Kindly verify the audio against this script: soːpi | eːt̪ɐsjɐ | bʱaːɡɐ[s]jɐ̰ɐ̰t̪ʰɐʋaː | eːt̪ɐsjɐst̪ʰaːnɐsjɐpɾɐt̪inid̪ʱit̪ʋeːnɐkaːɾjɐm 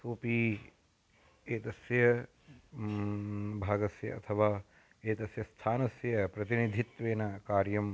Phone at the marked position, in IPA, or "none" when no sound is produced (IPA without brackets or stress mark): s